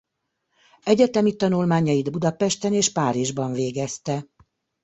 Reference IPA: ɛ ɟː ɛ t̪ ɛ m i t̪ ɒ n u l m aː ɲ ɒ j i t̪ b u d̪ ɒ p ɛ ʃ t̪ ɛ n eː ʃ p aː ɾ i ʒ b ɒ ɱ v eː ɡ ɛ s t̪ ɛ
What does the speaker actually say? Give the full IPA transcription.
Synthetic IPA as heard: ɛ ɟ ɛ t̪ ɛ m i t̪ ɒ n u l m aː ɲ ɒ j i d̪ b u d̪ ɒ p ɛ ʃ t̪ ɛ n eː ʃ p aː ɾ i ʒ b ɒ ɱ v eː ɡ ɛ s t̪ ɛ